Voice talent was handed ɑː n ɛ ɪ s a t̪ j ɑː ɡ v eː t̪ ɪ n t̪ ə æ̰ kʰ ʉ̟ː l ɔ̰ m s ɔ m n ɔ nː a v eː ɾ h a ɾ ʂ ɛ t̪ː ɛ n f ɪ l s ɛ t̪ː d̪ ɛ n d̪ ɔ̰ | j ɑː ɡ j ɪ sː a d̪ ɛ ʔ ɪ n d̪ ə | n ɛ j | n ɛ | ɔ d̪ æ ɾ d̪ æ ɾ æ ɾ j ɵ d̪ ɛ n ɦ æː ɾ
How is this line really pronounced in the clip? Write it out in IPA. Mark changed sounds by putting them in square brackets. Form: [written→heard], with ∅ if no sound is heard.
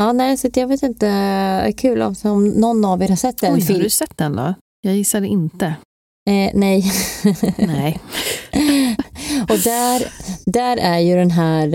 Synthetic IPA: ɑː n ɛ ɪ s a t̪ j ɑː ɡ v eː t̪ ɪ n t̪ ə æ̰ kʰ ʉ̟ː l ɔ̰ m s ɔ m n ɔ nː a v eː ɾ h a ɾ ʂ ɛ t̪ː ɛ n f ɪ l s ɛ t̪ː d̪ ɛ n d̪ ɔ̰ | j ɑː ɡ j ɪ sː a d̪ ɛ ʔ ɪ n [d̪→t̪] ə | n ɛ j | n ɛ | ɔ d̪ æ ɾ d̪ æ ɾ æ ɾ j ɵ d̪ ɛ n ɦ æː ɾ